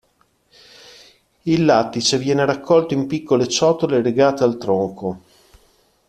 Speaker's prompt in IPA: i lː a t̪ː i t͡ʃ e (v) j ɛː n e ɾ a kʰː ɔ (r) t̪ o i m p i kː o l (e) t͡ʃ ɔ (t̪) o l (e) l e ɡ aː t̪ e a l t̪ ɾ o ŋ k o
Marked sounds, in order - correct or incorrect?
correct, incorrect, correct, correct, correct

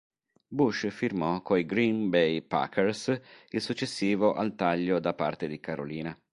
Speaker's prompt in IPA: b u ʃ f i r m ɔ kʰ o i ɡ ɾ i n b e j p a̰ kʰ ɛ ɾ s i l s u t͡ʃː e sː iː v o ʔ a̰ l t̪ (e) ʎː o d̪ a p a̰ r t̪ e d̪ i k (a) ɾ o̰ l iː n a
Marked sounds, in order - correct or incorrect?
incorrect, correct

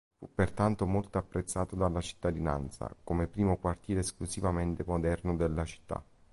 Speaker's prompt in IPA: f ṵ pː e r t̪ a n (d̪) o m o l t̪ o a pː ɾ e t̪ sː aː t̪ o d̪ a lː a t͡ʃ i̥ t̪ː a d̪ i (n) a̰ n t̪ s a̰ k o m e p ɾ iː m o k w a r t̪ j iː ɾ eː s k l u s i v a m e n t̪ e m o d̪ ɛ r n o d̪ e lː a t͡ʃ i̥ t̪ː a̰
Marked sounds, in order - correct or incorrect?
incorrect, correct

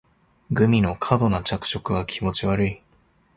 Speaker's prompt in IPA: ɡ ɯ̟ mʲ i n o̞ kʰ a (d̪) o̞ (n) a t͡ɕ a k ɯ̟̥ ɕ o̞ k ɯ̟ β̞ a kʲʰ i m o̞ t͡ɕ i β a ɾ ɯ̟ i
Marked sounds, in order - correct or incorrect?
correct, correct

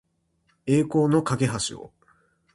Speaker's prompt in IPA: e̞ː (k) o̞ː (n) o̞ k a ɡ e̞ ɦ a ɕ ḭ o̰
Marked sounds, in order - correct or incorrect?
correct, correct

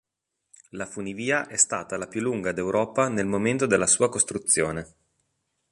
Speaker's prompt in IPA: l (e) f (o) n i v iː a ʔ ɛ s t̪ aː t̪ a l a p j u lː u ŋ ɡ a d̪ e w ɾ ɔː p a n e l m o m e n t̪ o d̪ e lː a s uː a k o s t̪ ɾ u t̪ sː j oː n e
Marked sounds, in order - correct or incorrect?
incorrect, incorrect

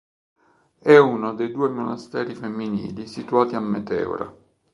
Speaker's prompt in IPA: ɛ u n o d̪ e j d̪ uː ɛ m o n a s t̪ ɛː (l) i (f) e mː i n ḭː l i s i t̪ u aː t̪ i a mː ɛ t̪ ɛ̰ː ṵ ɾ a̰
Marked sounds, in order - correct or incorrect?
incorrect, correct

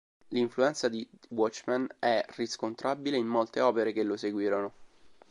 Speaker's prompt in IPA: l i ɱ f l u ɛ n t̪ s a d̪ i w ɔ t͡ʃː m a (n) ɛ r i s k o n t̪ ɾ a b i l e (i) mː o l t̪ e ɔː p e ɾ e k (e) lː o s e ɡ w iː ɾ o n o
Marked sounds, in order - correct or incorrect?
correct, correct, correct

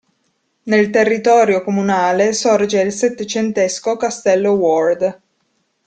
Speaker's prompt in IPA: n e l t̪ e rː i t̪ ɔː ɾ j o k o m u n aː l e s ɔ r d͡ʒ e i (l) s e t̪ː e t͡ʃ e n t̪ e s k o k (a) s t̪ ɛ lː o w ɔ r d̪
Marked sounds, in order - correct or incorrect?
correct, correct

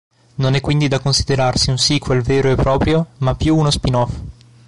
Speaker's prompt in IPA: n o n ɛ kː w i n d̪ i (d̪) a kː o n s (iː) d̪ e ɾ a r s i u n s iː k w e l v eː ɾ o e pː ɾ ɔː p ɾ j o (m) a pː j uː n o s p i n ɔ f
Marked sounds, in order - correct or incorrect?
correct, incorrect, correct

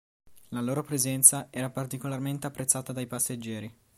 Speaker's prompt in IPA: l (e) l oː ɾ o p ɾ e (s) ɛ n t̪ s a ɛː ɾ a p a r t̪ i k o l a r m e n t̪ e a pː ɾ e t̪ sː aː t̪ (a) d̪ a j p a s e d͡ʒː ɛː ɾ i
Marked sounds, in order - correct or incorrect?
incorrect, incorrect, correct

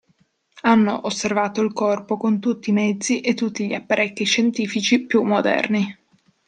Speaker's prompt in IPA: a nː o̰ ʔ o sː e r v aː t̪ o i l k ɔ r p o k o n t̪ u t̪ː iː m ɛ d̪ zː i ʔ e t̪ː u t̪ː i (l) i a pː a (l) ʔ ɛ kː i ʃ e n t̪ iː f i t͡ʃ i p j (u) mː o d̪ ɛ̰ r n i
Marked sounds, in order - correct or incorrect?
incorrect, incorrect, correct

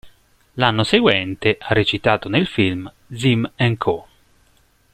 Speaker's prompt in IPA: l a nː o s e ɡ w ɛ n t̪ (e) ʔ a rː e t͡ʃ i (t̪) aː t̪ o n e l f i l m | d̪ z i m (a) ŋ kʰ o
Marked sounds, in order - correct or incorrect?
correct, correct, incorrect

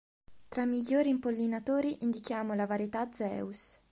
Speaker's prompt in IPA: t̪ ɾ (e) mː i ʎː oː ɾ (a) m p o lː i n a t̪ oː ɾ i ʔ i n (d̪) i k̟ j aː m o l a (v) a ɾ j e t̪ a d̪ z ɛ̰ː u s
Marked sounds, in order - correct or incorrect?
incorrect, incorrect, correct, correct

